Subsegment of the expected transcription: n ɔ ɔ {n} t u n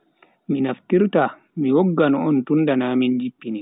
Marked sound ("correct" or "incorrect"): correct